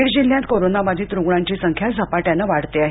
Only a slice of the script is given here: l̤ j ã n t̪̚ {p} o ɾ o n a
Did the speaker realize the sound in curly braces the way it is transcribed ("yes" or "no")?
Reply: no